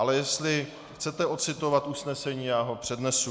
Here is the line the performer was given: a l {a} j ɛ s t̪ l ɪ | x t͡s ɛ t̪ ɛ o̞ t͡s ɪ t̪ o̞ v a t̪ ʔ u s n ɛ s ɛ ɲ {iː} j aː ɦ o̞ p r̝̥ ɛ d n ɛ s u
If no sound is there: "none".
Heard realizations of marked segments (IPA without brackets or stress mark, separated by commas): ɛ, iː